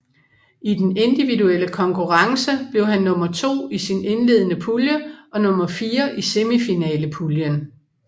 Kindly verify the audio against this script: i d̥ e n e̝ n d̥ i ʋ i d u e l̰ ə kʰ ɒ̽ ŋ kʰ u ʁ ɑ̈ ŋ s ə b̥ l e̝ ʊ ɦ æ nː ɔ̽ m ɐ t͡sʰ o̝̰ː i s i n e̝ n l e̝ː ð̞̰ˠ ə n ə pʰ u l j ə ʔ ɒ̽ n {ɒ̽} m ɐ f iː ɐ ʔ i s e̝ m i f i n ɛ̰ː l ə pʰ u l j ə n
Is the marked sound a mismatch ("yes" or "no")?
yes